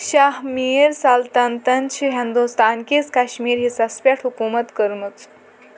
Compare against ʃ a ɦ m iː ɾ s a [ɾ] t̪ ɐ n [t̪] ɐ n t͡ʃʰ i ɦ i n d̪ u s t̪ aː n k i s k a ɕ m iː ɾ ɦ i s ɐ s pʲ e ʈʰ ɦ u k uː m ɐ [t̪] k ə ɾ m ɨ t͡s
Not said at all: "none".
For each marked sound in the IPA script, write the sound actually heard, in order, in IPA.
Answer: l, t̪, t̪

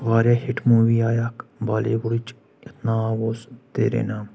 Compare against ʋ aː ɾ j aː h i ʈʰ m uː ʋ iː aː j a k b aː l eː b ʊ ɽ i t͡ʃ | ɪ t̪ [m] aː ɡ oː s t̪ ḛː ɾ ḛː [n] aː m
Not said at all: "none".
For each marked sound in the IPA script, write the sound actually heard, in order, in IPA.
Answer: n, n

